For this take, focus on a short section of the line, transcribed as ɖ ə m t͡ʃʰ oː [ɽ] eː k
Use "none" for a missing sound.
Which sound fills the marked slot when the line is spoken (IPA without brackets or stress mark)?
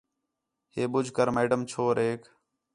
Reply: ɾ